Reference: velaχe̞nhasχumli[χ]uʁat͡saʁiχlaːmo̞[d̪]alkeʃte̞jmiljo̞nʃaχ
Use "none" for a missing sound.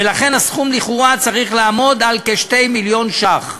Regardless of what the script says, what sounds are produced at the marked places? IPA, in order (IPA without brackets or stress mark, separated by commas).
χ, d̪